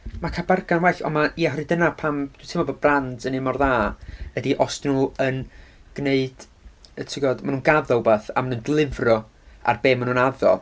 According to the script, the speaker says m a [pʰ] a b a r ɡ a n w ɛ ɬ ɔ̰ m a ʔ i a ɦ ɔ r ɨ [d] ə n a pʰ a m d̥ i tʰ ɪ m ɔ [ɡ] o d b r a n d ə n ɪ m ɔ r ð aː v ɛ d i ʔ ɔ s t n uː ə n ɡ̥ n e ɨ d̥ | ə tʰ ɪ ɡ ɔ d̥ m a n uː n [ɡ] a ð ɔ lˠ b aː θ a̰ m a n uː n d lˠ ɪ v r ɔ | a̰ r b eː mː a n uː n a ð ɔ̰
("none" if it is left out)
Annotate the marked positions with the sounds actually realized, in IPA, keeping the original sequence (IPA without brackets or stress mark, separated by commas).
kʰ, d, b, ɡ